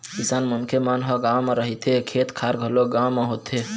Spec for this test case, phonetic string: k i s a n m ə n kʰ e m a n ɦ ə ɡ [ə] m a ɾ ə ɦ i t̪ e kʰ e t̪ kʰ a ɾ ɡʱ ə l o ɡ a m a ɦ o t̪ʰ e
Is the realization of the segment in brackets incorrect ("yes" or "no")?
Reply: yes